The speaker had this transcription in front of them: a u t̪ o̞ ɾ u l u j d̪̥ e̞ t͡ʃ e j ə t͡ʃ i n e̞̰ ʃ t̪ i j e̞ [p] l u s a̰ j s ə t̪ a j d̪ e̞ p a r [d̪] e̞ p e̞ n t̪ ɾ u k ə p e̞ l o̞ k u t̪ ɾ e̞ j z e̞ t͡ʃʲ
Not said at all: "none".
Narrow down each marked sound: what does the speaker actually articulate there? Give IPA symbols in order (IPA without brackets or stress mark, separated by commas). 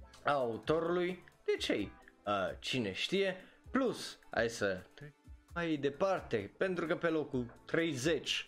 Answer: p, t̪